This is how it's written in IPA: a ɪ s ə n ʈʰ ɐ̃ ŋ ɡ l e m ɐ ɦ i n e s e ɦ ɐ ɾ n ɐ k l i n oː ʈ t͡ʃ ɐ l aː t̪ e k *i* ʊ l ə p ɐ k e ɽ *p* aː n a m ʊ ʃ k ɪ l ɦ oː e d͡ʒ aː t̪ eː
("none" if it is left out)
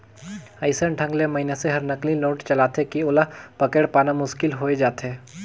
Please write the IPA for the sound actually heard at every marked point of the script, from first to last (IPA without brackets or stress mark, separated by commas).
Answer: i, p